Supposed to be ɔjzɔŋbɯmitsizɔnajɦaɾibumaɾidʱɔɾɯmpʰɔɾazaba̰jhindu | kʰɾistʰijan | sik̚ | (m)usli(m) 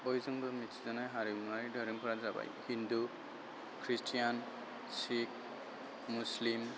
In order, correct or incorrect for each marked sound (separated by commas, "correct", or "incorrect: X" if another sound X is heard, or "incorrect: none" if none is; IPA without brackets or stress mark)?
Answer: correct, correct